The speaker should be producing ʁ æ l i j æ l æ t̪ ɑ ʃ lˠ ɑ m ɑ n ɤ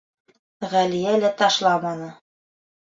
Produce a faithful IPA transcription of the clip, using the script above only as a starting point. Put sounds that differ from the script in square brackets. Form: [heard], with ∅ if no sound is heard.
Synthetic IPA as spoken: ʁ æ l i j æ l æ t̪ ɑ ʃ lˠ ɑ m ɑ n ɤ